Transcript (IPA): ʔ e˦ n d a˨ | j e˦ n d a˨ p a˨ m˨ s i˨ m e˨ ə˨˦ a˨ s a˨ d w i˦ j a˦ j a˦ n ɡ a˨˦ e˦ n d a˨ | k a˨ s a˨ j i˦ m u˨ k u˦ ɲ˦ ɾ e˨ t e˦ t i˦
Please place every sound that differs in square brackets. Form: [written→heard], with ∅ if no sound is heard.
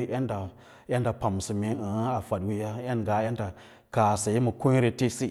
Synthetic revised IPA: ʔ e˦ n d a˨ | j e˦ n d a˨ p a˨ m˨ s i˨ m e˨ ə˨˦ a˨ [s→f] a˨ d w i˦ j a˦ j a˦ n ɡ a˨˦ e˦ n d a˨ | k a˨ s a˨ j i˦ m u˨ k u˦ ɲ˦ ɾ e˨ t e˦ [t→s] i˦